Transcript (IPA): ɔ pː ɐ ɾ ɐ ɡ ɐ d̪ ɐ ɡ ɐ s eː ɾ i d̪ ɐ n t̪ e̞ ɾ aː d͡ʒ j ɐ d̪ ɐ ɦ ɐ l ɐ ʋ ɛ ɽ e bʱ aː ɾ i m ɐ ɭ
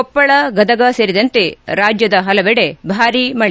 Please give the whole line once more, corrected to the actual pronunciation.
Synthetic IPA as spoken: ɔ pː ɐ ɭ ɐ ɡ ɐ d̪ ɐ ɡ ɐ s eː ɾ i d̪ ɐ n t̪ e̞ ɾ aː d͡ʒ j ɐ d̪ ɐ ɦ ɐ l ɐ ʋ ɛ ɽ e bʱ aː ɾ i m ɐ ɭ